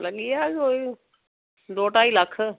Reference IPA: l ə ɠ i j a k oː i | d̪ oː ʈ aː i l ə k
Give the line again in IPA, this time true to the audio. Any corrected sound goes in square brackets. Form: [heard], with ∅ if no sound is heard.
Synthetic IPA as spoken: l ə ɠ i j a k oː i | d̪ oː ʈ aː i l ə [kʰ]